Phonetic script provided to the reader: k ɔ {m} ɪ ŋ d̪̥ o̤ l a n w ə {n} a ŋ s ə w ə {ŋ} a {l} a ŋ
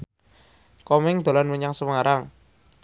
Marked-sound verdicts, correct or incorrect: correct, incorrect, correct, incorrect

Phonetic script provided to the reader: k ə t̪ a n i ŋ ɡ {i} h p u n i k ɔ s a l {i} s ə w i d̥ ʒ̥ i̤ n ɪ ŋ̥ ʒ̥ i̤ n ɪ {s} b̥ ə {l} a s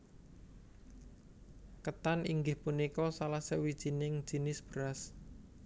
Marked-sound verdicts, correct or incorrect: incorrect, incorrect, correct, incorrect

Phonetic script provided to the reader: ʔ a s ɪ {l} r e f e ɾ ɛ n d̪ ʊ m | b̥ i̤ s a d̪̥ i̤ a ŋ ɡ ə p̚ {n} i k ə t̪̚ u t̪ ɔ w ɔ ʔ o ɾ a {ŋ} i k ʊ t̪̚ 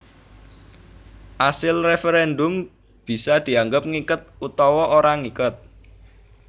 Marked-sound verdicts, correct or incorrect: correct, incorrect, correct

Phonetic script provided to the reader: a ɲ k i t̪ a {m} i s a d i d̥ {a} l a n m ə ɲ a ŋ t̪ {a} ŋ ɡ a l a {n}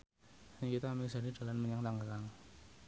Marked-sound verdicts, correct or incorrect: correct, correct, correct, incorrect

